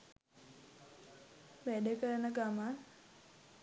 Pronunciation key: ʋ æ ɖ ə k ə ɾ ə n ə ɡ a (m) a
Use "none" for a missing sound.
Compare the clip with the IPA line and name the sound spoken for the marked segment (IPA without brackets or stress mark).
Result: m